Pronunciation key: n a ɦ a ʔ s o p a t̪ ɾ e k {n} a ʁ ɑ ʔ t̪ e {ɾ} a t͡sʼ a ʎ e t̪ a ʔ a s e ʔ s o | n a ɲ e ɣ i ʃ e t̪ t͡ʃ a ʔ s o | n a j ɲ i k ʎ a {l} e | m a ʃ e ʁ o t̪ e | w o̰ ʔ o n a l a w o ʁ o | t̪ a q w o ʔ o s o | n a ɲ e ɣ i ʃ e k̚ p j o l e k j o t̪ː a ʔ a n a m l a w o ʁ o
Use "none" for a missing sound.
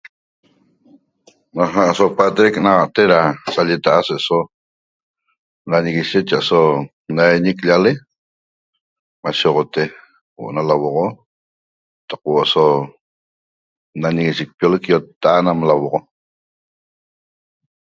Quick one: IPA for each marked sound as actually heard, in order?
n, ɾ, l

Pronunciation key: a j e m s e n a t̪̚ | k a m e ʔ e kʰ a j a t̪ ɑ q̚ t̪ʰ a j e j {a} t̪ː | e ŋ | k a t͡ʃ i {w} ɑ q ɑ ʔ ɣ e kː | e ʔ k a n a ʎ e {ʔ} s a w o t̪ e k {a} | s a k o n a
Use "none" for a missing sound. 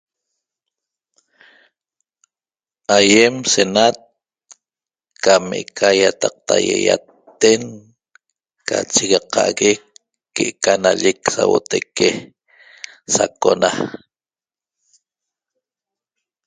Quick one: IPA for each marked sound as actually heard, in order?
a, ɣ, k, e

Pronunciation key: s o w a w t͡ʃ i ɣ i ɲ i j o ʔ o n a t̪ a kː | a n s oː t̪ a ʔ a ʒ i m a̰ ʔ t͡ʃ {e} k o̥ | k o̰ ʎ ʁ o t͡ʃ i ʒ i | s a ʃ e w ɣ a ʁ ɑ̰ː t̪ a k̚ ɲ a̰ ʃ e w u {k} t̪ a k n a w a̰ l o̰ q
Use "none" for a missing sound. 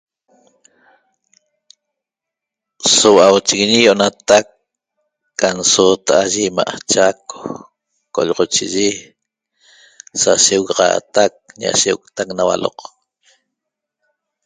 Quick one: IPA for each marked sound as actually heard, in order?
a, k

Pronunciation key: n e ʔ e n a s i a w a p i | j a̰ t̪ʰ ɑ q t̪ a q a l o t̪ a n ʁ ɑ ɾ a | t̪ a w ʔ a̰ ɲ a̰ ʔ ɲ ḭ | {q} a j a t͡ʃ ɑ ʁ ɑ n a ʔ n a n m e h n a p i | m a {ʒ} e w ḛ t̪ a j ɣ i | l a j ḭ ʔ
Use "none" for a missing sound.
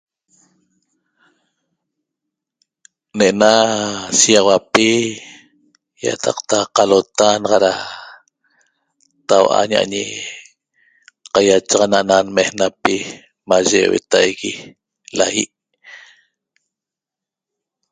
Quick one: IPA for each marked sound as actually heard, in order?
q, ʒ

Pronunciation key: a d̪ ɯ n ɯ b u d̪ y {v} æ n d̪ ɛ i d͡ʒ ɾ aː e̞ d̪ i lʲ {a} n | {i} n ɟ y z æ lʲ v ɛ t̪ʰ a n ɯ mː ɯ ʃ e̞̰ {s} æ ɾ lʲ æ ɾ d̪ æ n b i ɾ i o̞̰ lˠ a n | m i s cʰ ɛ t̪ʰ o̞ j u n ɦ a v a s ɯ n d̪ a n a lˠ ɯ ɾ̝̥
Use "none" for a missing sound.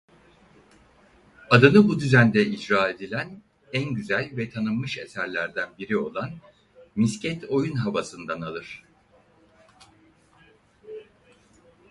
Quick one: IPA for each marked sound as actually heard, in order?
z, æ, æ, s

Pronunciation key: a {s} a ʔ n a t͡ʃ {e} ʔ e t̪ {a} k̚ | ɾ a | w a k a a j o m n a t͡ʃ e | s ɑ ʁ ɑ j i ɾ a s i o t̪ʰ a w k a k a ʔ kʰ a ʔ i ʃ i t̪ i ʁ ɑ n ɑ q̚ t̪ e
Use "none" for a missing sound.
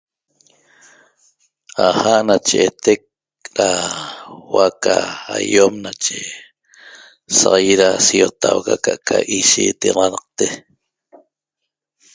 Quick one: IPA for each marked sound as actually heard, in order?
h, e, e

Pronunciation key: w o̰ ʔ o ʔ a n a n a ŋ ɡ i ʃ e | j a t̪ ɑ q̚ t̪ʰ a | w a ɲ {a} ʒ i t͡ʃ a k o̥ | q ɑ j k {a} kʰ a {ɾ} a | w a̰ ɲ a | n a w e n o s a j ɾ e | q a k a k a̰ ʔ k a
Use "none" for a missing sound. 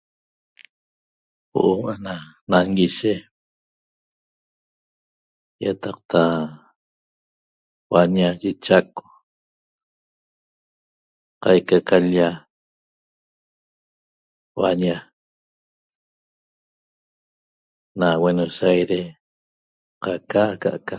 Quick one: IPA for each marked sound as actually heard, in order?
a, a, ʎ

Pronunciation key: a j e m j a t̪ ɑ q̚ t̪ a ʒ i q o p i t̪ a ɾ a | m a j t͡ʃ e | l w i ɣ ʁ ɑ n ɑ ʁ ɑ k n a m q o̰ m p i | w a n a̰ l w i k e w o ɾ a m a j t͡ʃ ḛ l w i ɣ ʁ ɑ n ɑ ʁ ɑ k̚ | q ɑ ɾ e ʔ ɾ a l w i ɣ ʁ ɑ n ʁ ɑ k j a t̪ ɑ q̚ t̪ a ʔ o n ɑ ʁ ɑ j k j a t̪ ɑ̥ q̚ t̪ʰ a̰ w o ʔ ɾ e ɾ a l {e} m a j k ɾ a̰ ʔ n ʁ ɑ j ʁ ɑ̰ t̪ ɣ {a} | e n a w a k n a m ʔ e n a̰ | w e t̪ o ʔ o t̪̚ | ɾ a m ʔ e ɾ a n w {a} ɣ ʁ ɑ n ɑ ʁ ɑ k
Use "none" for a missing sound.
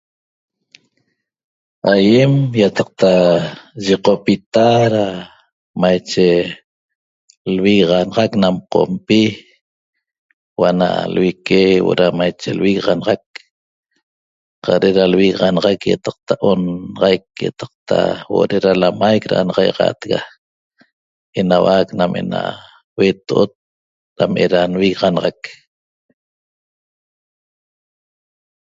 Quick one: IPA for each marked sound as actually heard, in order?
a, a, i

